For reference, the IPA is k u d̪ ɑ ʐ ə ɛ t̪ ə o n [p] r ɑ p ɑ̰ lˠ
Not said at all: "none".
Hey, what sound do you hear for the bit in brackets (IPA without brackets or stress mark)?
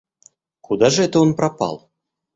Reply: p